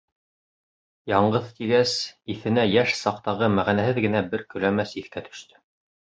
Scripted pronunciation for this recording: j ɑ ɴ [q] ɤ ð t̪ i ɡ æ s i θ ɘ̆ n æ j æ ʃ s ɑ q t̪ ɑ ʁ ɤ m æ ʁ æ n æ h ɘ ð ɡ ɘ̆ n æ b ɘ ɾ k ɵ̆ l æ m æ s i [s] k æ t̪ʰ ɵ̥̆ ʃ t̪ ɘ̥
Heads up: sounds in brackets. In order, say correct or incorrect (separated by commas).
incorrect, incorrect